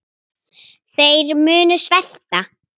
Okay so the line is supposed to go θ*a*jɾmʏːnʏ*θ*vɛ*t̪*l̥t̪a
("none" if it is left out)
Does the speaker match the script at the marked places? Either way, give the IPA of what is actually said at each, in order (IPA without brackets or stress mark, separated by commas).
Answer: e, s, none